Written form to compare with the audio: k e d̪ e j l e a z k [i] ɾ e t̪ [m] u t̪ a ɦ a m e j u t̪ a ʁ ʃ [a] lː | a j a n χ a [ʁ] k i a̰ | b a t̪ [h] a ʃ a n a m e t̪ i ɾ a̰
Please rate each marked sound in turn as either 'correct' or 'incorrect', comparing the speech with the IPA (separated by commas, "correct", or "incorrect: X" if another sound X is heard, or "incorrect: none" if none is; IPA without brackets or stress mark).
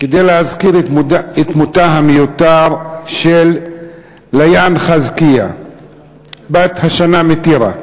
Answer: correct, correct, incorrect: e, incorrect: z, correct